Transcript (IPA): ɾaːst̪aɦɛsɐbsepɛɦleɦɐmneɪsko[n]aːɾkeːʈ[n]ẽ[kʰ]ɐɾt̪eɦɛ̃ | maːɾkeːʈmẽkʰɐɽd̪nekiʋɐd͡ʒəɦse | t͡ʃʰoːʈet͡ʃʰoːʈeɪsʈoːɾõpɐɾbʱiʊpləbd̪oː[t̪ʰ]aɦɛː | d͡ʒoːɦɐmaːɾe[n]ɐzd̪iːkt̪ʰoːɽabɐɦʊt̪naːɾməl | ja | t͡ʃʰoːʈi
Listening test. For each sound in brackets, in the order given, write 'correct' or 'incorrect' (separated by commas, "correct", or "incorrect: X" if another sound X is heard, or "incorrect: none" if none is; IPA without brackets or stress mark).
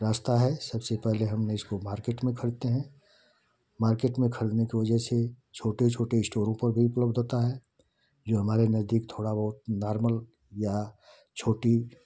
incorrect: m, incorrect: m, correct, incorrect: t̪, correct